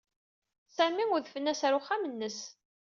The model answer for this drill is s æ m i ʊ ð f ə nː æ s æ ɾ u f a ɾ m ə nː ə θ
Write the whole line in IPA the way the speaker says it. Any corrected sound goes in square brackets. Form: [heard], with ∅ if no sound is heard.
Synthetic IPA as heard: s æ m i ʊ ð f ə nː æ s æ ɾ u [χ] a [∅] m ə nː ə [s]